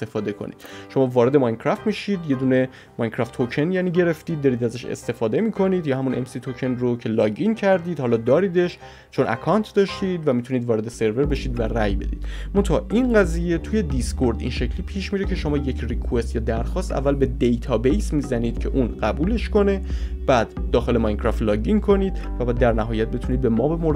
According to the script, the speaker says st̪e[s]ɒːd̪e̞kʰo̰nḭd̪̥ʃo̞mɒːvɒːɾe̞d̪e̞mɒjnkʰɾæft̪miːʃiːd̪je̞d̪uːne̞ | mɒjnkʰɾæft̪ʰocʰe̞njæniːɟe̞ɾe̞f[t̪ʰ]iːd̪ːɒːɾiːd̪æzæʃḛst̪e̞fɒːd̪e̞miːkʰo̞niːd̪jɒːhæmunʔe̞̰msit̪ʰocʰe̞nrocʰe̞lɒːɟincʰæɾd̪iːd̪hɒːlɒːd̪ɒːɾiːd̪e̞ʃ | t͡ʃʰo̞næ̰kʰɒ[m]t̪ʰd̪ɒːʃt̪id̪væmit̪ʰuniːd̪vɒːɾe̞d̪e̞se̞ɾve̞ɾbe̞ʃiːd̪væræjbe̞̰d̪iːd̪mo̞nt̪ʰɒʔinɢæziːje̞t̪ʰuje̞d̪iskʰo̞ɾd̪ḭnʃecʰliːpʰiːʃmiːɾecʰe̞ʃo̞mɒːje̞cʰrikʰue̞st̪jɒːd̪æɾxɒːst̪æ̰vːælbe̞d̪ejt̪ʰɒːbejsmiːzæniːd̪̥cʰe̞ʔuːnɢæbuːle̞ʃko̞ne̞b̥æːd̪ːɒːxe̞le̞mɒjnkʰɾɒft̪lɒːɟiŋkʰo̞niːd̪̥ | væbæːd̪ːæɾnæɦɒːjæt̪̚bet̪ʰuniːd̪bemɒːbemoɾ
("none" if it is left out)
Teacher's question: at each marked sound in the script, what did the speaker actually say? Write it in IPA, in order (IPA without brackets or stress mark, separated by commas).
f, t̪, n